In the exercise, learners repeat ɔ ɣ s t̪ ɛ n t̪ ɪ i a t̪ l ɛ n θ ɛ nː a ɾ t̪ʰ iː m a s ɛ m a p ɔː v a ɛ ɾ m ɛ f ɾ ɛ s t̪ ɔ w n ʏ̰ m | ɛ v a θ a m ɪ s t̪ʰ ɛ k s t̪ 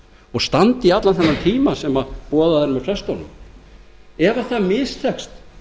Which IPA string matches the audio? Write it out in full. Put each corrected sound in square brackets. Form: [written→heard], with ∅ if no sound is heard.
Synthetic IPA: ɔ ɣ s t̪ [ɛ→a] n t̪ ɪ i a t̪ l [ɛ→a] n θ ɛ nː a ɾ t̪ʰ iː m a s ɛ m a p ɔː [v→ð] a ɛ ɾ m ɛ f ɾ ɛ s t̪ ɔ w n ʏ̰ m | ɛ v a θ a m ɪ s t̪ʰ ɛ k s t̪